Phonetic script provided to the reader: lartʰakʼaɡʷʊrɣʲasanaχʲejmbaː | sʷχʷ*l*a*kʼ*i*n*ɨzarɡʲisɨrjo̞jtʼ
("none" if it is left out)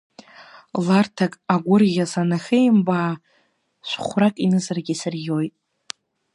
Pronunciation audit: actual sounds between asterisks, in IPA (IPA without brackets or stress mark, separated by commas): r, kʼ, n